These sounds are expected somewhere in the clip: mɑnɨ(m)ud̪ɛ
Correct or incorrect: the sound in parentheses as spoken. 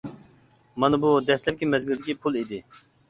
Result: incorrect: b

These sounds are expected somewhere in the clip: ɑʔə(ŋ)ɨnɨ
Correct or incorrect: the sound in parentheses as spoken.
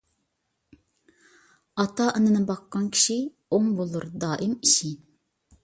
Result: incorrect: n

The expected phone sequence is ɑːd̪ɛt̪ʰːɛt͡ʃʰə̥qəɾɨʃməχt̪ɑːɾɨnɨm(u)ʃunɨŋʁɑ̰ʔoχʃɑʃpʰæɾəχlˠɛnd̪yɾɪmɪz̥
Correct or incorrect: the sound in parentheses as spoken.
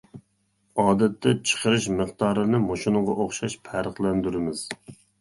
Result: incorrect: o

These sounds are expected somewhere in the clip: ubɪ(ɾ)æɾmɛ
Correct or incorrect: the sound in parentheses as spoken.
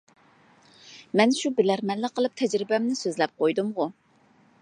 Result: incorrect: l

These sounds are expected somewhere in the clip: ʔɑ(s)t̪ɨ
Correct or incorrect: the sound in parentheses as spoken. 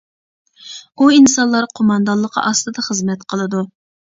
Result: correct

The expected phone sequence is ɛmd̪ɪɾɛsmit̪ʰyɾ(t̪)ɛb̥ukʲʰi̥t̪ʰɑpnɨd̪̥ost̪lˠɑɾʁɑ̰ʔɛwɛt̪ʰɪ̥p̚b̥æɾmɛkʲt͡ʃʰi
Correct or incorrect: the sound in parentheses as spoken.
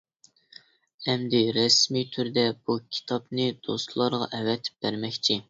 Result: incorrect: d̪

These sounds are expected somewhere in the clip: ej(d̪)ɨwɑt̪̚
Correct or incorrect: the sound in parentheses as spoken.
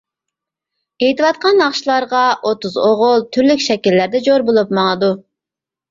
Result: incorrect: t̪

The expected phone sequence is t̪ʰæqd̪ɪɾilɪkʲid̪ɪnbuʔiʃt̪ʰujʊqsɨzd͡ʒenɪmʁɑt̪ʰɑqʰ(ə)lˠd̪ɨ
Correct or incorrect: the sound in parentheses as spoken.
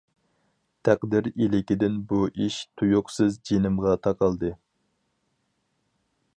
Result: incorrect: ɑ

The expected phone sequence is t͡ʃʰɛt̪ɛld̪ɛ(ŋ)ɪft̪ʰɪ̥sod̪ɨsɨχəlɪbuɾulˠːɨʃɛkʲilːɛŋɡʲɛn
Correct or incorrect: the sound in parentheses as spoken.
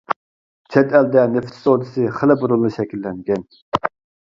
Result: incorrect: n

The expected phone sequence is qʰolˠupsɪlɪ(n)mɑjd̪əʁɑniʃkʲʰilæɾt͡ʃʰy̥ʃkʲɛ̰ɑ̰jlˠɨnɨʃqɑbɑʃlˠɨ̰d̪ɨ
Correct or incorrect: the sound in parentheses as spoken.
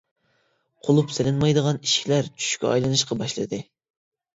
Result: correct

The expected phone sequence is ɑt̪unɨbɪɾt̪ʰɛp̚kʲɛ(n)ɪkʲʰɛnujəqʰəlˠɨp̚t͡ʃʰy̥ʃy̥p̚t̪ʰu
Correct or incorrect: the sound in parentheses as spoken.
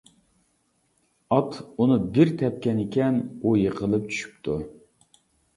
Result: correct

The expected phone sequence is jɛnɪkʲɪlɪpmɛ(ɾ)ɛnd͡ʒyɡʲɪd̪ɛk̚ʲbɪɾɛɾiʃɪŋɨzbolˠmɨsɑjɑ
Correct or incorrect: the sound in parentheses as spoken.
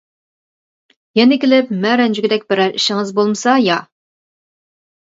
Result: correct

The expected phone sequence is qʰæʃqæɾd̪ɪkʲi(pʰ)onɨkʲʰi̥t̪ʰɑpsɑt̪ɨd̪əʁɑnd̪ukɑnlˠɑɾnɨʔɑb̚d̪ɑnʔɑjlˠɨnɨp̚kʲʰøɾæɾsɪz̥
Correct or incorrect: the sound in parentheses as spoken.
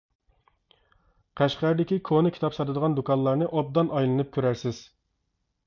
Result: incorrect: kʰ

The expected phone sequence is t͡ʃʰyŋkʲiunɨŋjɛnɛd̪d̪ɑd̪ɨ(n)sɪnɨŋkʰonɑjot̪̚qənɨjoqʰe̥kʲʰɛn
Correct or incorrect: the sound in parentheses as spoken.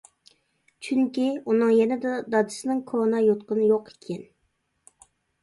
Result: incorrect: none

